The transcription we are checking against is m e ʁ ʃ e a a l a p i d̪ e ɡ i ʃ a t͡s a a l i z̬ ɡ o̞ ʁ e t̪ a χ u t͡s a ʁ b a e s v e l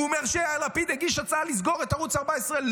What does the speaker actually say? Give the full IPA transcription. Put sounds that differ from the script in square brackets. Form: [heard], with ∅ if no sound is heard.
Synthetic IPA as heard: m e ʁ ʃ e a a l a p i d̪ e ɡ i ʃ a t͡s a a l i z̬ ɡ o̞ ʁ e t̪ a [ʁ] u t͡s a ʁ b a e s [ʁ] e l